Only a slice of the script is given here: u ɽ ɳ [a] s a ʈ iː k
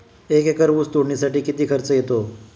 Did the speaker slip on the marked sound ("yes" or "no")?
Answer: yes